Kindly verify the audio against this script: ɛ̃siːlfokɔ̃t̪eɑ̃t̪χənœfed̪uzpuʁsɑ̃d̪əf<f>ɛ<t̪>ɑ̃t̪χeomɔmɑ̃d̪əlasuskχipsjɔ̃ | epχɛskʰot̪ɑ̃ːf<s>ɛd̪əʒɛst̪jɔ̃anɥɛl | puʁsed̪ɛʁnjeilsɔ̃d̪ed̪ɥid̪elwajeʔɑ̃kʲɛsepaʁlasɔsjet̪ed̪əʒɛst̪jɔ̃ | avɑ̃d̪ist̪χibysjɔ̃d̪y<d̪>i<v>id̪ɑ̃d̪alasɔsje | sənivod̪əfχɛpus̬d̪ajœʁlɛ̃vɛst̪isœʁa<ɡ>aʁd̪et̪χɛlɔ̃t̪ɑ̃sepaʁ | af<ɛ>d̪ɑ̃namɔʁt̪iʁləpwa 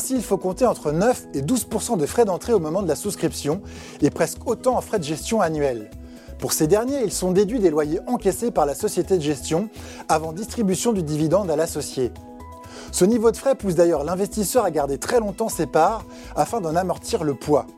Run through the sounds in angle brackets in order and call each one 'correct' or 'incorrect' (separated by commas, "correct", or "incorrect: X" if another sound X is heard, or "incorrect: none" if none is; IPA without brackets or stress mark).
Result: incorrect: χ, incorrect: d̪, incorrect: χ, correct, correct, correct, incorrect: ɛ̃